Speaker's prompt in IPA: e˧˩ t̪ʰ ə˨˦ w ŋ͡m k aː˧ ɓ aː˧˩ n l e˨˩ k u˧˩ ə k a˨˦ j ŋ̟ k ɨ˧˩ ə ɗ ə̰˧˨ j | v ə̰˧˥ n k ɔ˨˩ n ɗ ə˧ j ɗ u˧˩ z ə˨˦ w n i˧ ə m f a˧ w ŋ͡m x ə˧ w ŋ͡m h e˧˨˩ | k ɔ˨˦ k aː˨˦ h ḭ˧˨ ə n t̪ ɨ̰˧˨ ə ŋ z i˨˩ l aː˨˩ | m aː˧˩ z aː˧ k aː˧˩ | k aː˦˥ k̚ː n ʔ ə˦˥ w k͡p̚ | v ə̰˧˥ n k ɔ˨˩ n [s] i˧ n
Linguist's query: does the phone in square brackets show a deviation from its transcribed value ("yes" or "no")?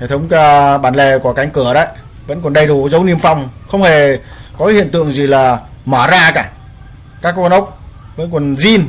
yes